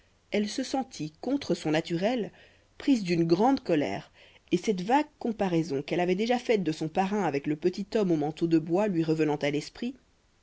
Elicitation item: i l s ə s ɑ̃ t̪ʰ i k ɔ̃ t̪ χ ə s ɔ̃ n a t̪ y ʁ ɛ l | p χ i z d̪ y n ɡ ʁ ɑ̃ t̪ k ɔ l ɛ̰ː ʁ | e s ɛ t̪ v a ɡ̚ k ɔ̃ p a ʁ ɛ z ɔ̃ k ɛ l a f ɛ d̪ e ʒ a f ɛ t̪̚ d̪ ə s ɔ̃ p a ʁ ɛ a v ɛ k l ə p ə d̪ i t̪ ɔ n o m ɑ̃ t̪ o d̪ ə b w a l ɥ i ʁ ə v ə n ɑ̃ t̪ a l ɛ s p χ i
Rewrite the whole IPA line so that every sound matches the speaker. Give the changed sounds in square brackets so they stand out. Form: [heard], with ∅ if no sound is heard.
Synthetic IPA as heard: [ɛ] l s ə s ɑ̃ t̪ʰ i k ɔ̃ t̪ χ ə s ɔ̃ n a t̪ y ʁ ɛ l | p χ i z d̪ y n ɡ ʁ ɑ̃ [d̪] k ɔ l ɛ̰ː ʁ | e s ɛ t̪ v a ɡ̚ k ɔ̃ p a ʁ ɛ z ɔ̃ k ɛ l a [v] ɛ d̪ e ʒ a f ɛ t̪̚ d̪ ə s ɔ̃ p a ʁ [ɛ̃] a v ɛ k l ə p ə [t̪] i t̪ ɔ [m] o m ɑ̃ t̪ o d̪ ə b w a l ɥ i ʁ ə v ə n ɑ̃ t̪ a l ɛ s p χ i